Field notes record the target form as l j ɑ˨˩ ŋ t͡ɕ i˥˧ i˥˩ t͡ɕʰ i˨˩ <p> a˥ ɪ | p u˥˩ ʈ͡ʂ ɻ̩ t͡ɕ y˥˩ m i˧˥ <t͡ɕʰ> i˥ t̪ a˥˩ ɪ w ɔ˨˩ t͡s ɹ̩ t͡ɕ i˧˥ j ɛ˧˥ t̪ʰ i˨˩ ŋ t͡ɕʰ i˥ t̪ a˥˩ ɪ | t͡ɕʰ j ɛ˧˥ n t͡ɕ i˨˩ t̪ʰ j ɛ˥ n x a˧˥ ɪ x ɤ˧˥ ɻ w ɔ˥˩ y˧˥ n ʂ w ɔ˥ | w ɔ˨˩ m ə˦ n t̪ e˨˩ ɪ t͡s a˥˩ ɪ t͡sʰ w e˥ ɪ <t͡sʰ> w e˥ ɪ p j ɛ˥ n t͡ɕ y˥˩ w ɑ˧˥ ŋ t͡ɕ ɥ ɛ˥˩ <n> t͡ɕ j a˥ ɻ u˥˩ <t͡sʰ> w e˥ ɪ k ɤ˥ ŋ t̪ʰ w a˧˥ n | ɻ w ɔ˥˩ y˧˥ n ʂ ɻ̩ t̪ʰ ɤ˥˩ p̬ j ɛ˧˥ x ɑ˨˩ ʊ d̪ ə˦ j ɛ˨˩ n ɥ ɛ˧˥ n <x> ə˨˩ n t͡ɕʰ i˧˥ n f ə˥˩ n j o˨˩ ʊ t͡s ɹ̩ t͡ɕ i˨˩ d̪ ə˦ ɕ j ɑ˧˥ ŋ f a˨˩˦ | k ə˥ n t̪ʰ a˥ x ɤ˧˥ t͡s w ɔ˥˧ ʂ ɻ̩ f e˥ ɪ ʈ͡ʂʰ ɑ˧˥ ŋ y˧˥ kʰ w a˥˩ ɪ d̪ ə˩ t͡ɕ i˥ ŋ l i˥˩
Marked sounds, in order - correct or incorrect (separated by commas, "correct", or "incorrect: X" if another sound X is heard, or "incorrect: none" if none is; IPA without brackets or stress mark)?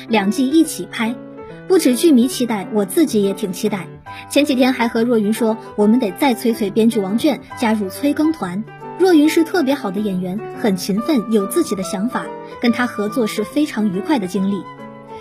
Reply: incorrect: pʰ, correct, correct, correct, correct, correct